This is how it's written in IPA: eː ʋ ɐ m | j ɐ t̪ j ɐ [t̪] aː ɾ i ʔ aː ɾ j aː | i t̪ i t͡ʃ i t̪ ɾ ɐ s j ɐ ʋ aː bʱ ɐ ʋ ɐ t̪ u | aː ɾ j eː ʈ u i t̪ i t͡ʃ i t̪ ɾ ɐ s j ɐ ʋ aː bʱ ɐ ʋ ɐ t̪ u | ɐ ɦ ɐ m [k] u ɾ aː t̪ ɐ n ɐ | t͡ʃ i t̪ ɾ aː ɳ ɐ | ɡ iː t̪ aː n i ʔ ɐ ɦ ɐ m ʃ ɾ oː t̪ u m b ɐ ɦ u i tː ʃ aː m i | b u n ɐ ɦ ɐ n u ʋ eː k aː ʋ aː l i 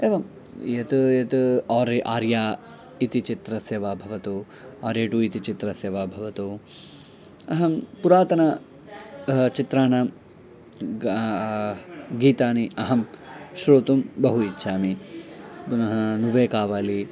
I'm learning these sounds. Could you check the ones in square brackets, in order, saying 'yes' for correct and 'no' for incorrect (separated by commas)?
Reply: yes, no